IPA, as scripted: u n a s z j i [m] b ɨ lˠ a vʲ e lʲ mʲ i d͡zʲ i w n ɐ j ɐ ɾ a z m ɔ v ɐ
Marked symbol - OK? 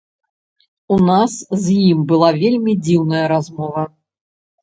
yes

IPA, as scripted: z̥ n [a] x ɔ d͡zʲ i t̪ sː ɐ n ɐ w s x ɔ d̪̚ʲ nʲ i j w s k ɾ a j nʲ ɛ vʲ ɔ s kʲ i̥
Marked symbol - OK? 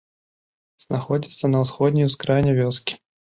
yes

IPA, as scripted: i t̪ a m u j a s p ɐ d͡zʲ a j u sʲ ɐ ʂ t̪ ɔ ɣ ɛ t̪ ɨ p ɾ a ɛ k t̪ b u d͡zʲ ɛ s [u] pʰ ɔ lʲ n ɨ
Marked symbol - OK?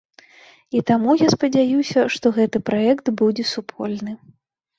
yes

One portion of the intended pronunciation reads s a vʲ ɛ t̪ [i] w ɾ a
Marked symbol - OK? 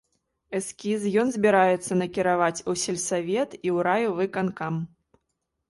yes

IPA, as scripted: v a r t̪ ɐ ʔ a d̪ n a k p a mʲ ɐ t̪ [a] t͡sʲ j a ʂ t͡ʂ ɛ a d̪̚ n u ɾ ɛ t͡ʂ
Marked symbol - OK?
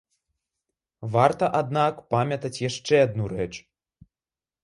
no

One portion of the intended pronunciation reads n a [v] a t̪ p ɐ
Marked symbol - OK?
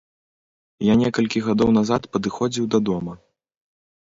no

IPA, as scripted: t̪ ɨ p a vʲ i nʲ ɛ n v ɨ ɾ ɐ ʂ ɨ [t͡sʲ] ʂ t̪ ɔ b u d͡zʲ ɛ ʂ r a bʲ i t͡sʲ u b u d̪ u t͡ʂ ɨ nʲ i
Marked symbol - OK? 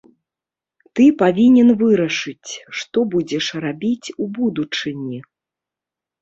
yes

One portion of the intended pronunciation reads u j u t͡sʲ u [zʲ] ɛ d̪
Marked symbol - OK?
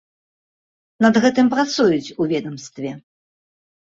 no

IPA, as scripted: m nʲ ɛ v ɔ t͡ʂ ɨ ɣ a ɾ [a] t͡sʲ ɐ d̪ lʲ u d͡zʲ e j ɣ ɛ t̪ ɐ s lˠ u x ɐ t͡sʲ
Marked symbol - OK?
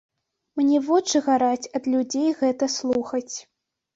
yes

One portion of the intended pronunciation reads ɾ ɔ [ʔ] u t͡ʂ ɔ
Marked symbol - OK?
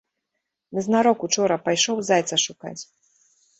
no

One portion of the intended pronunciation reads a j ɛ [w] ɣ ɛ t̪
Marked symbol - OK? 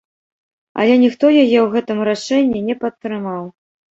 yes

